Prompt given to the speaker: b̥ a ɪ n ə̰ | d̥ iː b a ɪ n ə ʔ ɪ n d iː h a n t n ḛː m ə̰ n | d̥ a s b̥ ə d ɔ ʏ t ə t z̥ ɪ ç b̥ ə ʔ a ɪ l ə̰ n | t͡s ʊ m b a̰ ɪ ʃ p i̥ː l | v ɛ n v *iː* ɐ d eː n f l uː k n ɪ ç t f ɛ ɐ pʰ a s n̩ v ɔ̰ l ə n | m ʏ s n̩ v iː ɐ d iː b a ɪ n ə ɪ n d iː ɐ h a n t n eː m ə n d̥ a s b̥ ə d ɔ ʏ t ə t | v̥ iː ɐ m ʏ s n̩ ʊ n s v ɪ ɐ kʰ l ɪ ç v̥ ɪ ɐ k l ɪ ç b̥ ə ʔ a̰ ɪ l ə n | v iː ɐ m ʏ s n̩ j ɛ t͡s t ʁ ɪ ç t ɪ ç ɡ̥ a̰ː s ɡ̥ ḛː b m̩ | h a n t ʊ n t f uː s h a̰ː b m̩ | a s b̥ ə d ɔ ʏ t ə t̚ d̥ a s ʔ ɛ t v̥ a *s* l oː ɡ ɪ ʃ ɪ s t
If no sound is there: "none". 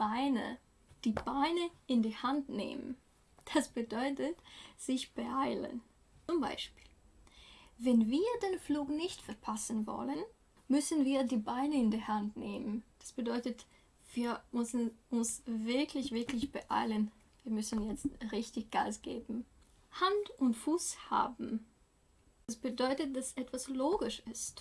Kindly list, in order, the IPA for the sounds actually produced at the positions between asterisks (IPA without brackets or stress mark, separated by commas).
iː, s